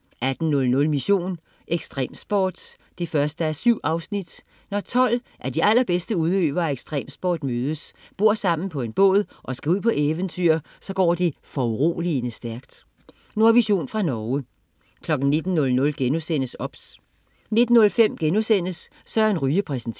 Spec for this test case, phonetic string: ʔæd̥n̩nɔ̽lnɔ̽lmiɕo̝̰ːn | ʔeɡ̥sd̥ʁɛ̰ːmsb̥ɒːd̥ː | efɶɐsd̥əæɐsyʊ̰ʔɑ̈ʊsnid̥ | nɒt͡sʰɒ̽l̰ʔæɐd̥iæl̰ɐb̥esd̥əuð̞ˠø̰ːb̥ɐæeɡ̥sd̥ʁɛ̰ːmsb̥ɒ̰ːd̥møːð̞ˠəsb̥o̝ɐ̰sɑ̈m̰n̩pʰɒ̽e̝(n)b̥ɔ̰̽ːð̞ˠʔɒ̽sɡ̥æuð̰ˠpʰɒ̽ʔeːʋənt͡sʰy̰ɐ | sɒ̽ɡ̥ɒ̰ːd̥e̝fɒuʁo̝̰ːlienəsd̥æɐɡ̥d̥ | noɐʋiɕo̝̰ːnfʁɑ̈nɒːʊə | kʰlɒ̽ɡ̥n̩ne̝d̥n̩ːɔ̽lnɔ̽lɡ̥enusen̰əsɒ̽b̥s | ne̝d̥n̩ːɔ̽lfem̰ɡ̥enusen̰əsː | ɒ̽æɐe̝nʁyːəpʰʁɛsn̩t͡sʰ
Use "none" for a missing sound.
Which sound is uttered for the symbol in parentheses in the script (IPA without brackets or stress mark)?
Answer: n